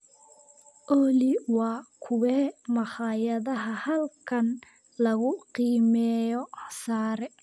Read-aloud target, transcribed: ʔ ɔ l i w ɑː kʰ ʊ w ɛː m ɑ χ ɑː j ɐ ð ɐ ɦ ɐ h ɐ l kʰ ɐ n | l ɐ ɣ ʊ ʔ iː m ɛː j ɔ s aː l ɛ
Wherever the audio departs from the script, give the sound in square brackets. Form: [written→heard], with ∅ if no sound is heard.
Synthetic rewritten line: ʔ ɔ l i w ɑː kʰ ʊ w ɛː m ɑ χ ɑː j ɐ ð ɐ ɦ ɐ h ɐ l kʰ ɐ n | l ɐ ɣ ʊ [ʔ→q] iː m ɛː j ɔ s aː [l→ɾ] ɛ